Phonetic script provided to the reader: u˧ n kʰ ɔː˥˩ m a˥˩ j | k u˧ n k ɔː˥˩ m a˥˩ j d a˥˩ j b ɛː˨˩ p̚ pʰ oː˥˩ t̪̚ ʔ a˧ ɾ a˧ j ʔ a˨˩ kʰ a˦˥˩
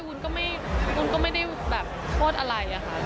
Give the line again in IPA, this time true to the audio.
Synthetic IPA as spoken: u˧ n k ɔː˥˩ m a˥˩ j | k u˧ n k ɔː˥˩ m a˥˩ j d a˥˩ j b ɛː˨˩ p̚ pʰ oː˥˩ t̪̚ ʔ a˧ ɾ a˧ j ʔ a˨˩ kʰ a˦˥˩